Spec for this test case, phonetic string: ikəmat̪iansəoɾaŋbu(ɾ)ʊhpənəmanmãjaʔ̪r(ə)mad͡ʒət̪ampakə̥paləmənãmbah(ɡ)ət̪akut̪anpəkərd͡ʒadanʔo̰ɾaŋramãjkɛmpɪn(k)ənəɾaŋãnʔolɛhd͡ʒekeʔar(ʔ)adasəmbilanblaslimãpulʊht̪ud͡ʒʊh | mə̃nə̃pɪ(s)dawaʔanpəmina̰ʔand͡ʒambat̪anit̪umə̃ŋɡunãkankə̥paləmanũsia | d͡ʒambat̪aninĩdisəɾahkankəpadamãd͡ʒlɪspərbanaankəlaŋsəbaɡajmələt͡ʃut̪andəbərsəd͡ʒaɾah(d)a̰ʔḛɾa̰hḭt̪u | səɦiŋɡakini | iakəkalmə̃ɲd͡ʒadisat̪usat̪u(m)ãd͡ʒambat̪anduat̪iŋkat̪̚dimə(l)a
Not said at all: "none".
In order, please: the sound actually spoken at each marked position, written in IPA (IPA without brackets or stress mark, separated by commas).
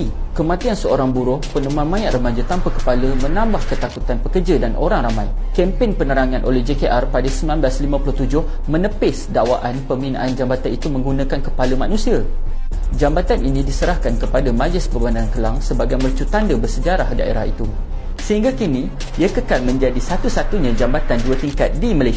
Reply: ɾ, ə, k, p, p, s, d, ɲ, l